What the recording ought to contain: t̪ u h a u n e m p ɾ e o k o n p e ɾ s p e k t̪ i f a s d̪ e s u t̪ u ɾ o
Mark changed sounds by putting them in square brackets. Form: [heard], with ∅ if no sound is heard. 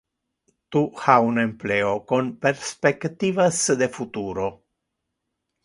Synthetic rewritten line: t̪ u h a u n e m p [l] e o k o n p e ɾ s p e k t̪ i [v] a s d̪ e [f] u t̪ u ɾ o

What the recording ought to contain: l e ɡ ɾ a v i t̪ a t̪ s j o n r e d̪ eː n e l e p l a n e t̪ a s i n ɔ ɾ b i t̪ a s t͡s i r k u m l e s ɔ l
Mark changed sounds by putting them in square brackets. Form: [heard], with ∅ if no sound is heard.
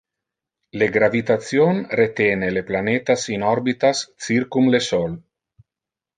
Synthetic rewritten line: l e ɡ ɾ a v i t̪ a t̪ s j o n r e [t̪] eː n e l e p l a n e t̪ a s i n ɔ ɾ b i t̪ a s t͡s i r k u m l e s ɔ l

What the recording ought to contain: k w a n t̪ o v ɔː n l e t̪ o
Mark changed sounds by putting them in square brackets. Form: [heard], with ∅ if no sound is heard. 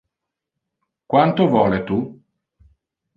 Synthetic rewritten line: k w a n t̪ o v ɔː [∅] l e t̪ [u]

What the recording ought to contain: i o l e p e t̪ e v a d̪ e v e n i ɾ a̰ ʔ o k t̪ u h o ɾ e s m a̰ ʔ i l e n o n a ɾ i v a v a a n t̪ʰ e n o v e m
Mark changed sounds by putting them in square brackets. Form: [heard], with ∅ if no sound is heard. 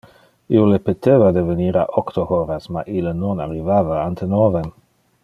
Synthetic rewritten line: i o l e p e t̪ e v a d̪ e v e n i ɾ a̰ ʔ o k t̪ [o] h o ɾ [a] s m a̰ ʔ i l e n o n a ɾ i v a v a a n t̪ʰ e n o v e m

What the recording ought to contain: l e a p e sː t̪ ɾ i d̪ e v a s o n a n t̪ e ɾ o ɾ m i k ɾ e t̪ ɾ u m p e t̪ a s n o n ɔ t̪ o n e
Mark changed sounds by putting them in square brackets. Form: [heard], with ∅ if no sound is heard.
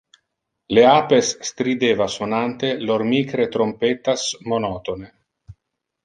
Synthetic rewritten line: l e a p e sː t̪ ɾ i d̪ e v a s o n a n t̪ e [l] o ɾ m i k ɾ e t̪ ɾ [o] m p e t̪ a s [m] o n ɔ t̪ o n e

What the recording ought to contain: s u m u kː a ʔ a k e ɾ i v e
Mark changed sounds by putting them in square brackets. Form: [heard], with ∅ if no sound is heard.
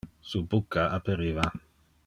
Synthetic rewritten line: s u [b] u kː a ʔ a [p] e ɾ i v [a]

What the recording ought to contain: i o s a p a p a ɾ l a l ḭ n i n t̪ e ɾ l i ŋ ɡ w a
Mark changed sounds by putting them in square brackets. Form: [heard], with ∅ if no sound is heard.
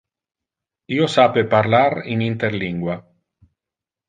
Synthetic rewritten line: i o s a p [e] p a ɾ l a [ɾ] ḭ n i n t̪ e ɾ l i ŋ ɡ w a

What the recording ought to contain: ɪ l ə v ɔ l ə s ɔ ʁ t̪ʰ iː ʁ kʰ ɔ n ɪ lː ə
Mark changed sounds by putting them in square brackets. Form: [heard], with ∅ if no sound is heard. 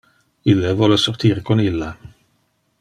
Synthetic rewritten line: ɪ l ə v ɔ l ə s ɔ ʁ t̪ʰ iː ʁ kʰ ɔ n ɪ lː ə

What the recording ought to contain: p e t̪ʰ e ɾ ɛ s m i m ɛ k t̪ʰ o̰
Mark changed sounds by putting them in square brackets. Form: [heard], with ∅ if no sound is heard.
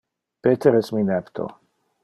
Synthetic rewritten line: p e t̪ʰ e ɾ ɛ s m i [n] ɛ [p] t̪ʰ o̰

